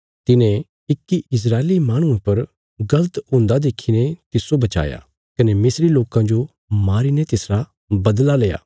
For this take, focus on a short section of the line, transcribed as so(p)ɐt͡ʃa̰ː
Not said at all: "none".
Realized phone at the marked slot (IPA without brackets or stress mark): b